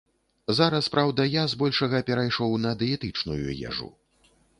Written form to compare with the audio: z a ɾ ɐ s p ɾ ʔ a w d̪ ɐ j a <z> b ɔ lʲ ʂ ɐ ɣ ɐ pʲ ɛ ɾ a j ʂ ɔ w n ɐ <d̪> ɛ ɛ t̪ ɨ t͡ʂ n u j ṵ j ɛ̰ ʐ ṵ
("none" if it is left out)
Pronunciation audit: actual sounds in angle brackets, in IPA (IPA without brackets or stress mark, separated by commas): z, d̪